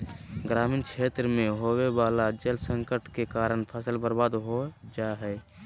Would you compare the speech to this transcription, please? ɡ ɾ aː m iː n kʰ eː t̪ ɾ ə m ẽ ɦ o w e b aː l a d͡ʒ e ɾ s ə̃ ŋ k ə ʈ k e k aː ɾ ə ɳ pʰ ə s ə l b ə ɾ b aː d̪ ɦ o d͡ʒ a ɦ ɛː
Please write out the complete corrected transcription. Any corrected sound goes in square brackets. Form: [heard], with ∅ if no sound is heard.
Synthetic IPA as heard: ɡ ɾ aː m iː n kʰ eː t̪ ɾ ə m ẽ ɦ o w e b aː l a d͡ʒ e [l] s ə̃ ŋ k ə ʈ k e k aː ɾ ə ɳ pʰ ə s ə l b ə ɾ b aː d̪ ɦ o d͡ʒ a ɦ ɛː